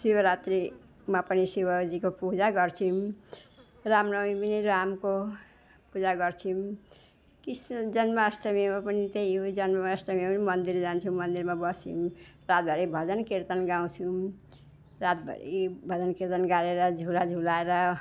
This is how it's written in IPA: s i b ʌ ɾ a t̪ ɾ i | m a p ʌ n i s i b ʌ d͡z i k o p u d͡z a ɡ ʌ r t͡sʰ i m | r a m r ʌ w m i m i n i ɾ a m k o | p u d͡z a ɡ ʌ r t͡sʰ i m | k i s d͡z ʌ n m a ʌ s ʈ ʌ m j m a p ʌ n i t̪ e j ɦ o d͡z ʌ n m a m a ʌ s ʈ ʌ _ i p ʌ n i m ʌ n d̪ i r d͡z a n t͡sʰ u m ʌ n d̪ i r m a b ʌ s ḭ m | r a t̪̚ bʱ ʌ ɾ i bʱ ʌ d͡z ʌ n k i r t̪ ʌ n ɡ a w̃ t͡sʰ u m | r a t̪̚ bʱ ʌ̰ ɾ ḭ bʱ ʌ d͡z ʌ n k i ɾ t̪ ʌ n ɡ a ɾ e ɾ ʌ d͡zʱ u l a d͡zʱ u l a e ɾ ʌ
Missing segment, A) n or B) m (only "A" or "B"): B